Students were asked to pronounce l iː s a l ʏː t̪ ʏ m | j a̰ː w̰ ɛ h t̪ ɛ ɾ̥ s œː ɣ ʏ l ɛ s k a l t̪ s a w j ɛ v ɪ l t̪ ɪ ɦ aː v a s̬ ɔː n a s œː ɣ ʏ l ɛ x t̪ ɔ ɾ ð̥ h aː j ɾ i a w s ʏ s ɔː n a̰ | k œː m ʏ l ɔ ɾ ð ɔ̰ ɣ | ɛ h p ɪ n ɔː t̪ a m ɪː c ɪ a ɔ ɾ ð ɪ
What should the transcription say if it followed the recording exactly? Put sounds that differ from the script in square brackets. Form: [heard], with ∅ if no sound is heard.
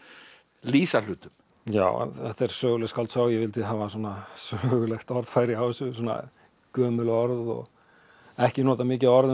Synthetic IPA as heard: l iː s a l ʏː t̪ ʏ m | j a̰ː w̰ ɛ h t̪ ɛ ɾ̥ s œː ɣ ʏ l ɛ s k a l t̪ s a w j ɛ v ɪ l t̪ ɪ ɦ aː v a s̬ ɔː n a s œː ɣ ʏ l ɛ x t̪ ɔ ɾ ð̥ [f] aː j ɾ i a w s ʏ s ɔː n a̰ | k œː m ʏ l ɔ ɾ ð ɔ̰ ɣ | ɛ h [c] ɪ n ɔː t̪ a m ɪː c ɪ a ɔ ɾ ð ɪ

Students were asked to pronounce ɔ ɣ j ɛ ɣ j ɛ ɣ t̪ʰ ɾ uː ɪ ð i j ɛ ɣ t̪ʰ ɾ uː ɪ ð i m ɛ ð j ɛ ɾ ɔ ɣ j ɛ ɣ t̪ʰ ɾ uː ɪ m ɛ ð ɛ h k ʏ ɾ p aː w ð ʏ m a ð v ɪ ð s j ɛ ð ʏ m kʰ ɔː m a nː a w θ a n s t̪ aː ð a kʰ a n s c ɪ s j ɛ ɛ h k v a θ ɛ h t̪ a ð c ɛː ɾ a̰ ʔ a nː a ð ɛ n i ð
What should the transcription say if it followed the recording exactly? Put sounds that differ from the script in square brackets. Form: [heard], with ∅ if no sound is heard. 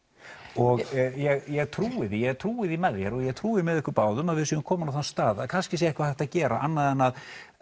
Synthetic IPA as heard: ɔ ɣ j ɛ ɣ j ɛ ɣ t̪ʰ ɾ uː ɪ ð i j ɛ ɣ t̪ʰ ɾ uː ɪ ð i m ɛ ð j ɛ ɾ ɔ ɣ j ɛ ɣ t̪ʰ ɾ uː ɪ m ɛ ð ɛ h k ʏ ɾ p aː w ð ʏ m a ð v ɪ ð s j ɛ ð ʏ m kʰ ɔː m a [n] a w θ a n s t̪ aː ð a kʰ a n s c ɪ s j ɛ ɛ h k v a θ ɛ h t̪ a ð c ɛː ɾ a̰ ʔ a nː a ð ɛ n [a] ð

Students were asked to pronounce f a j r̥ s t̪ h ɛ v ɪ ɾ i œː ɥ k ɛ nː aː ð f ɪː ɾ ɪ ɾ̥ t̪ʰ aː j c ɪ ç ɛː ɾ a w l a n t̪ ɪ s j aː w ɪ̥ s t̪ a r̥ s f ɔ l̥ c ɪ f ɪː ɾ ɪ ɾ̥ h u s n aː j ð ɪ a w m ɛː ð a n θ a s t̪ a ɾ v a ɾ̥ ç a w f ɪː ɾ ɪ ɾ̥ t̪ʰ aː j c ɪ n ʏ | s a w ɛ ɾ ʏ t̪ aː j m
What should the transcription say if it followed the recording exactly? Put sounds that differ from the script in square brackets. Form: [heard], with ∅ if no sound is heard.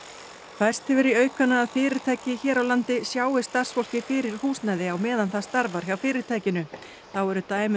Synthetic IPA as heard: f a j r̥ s t̪ h ɛ v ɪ ɾ i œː ɥ k [a] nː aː ð f ɪː ɾ ɪ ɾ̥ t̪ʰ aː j c ɪ ç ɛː ɾ a w l a n t̪ ɪ s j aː w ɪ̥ s t̪ a r̥ s f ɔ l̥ c ɪ f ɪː ɾ ɪ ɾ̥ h [uː] s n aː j ð ɪ a w m ɛː ð a n θ a s t̪ a ɾ v a ɾ̥ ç a w f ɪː ɾ ɪ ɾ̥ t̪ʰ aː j c ɪ n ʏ | [θ] a w ɛ ɾ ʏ t̪ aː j m

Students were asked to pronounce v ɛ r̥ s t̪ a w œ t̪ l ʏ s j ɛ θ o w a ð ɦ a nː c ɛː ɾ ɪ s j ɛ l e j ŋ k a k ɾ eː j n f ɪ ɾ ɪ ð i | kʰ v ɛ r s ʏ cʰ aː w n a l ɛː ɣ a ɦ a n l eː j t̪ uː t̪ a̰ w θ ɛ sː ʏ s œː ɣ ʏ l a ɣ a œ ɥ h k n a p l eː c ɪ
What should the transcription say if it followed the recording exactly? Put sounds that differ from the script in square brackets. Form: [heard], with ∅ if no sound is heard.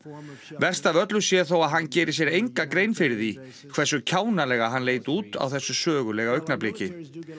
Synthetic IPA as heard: v ɛ r̥ s t̪ a [v] œ t̪ l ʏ s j ɛ θ o w a ð ɦ a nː c ɛː ɾ ɪ s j ɛ [ɾ] e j ŋ k a k ɾ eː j n f ɪ ɾ ɪ ð i | kʰ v ɛ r s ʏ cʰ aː w n a l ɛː ɣ a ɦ a n l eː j t̪ uː t̪ a̰ w θ ɛ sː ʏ s œː ɣ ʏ l [ɛ] ɣ a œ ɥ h k n a p l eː c ɪ

